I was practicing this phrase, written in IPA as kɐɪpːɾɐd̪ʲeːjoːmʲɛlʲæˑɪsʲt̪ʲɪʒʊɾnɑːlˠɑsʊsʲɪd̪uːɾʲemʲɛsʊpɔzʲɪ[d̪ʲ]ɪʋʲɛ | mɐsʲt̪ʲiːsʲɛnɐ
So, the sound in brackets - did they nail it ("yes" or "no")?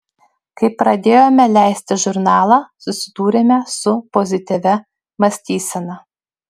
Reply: no